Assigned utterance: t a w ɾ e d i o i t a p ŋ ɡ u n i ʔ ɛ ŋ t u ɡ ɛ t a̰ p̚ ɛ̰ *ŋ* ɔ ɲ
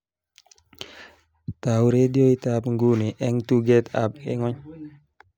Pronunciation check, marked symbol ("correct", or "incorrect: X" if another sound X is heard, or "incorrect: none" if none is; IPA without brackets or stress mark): correct